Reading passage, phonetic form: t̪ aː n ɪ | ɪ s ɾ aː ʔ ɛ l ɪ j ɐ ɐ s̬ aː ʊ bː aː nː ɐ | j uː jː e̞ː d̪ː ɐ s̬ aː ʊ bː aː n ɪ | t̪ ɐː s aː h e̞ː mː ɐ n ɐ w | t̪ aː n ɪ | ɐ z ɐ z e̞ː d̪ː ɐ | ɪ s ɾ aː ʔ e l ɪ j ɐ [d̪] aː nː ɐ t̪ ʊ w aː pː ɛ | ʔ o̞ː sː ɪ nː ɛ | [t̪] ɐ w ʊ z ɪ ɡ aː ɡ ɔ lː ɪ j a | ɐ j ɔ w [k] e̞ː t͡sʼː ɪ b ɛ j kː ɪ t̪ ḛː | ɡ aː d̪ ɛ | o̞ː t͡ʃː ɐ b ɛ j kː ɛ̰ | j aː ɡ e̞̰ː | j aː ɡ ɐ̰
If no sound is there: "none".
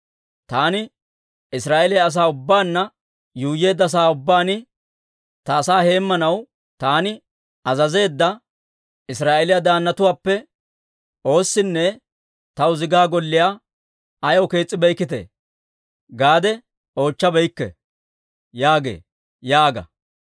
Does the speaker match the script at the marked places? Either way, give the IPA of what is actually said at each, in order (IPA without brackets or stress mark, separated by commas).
d̪, t̪, k